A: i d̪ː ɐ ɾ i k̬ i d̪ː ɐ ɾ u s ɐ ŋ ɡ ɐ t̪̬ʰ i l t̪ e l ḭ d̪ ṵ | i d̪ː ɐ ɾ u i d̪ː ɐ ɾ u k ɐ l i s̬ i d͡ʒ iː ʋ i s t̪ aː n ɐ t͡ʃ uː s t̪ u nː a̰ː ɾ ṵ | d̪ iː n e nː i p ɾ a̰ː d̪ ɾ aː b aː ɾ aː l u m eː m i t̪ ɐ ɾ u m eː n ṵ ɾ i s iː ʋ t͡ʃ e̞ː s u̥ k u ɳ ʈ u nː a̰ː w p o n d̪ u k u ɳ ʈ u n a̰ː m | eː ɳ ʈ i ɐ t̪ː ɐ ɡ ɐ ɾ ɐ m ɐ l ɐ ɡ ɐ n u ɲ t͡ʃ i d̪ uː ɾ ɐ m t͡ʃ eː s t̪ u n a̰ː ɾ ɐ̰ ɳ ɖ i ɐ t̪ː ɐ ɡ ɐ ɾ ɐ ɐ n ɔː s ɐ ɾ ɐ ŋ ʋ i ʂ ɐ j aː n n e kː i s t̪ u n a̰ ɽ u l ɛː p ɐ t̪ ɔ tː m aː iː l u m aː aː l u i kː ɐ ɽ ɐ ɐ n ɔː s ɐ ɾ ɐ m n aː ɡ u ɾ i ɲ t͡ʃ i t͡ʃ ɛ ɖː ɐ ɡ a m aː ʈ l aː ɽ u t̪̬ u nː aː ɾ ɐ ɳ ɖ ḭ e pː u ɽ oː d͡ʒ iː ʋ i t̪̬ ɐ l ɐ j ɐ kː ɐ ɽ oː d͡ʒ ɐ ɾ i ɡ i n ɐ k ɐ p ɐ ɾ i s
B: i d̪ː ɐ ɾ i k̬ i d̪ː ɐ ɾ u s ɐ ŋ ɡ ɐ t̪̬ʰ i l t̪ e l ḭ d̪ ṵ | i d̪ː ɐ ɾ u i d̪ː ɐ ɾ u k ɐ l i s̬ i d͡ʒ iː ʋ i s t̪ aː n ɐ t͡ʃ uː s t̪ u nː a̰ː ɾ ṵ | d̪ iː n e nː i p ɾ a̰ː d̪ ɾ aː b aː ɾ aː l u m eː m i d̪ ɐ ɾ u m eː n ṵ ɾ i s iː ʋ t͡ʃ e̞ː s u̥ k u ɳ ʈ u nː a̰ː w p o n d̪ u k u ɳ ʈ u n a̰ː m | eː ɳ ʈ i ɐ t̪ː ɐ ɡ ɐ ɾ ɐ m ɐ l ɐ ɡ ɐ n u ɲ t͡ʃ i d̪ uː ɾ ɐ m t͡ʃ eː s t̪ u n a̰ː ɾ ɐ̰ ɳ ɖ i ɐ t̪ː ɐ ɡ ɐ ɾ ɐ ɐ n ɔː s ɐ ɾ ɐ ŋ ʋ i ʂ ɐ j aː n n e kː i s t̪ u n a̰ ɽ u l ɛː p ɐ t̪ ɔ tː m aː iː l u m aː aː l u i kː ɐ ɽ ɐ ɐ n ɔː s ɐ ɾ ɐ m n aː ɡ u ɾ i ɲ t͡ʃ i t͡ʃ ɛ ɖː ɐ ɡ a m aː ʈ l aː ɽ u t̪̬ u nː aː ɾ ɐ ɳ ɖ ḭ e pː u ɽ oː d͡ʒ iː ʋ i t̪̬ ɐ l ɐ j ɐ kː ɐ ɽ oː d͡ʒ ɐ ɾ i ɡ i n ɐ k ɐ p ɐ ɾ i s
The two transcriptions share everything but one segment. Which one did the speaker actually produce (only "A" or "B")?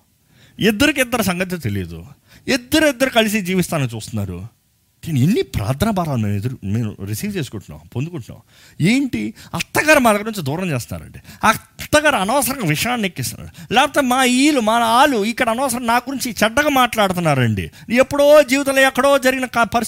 B